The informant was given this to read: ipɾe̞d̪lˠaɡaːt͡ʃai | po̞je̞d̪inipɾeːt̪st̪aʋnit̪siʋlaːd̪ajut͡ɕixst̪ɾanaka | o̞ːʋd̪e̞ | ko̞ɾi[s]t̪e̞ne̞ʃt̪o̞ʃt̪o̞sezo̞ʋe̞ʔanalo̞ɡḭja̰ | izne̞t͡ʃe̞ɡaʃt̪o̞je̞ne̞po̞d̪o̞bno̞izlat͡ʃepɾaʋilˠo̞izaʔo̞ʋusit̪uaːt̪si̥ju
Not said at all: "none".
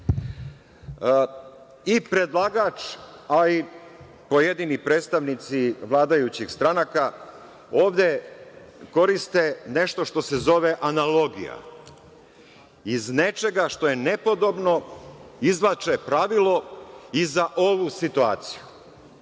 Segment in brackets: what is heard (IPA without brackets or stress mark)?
s